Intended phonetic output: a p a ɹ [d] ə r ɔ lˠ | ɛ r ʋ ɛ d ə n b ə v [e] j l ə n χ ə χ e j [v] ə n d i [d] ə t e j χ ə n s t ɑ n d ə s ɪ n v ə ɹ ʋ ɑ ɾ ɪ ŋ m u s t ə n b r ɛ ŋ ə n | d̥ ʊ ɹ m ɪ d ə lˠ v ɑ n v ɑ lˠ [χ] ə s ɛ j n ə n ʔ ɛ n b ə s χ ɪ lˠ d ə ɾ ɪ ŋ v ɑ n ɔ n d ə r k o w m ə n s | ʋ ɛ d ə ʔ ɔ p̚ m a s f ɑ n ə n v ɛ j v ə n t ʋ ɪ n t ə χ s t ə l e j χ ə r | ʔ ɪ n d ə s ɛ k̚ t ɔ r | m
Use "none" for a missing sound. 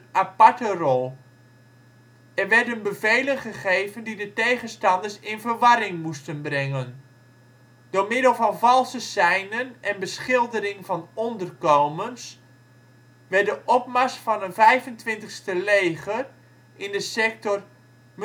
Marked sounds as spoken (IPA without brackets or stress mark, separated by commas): t, e, v, d, s